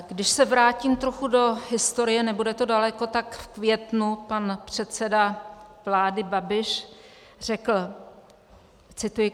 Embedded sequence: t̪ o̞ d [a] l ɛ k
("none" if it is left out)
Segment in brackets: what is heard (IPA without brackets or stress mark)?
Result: a